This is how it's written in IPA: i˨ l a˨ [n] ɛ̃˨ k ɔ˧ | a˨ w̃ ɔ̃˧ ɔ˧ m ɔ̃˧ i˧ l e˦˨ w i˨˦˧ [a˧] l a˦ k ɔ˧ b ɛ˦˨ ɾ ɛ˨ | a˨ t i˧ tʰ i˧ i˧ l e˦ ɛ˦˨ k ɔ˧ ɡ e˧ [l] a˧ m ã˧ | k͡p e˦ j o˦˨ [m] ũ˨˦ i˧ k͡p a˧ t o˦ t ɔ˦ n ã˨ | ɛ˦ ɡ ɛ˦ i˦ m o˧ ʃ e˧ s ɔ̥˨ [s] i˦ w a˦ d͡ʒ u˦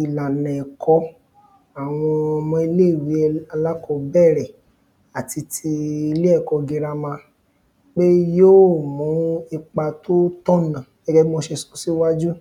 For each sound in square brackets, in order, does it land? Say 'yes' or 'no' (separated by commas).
yes, yes, no, yes, yes